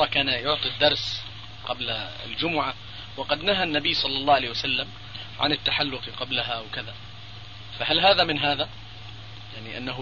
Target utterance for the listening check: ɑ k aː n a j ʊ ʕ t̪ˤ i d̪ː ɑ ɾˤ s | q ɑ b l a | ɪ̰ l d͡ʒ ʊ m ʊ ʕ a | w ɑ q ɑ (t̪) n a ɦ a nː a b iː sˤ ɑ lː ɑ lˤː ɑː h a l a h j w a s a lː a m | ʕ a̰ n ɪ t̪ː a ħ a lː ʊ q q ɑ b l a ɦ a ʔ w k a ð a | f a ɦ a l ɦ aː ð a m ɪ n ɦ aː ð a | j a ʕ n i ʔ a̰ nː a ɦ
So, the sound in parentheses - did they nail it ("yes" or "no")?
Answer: no